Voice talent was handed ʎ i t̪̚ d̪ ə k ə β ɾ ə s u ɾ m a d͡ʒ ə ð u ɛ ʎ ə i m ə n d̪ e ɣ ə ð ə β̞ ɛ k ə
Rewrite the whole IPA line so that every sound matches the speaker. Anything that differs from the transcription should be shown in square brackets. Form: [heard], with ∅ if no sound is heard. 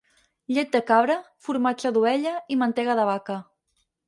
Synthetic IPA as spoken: ʎ [e] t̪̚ d̪ ə k [a] β ɾ ə [f] u ɾ m a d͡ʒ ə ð u ɛ ʎ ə i m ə n [t̪] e ɣ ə ð ə β̞ [a] k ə